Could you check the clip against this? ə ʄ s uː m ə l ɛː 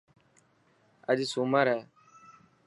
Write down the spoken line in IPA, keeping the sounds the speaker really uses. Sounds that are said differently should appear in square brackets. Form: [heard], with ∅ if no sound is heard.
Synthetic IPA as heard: ə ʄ s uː m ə [ɾ] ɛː